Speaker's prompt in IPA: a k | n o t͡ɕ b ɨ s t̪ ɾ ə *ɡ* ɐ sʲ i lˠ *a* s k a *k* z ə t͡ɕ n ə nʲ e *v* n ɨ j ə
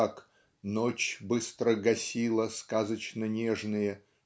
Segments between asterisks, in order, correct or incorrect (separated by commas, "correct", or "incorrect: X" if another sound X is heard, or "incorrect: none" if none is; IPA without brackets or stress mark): correct, incorrect: ə, incorrect: none, incorrect: ʐ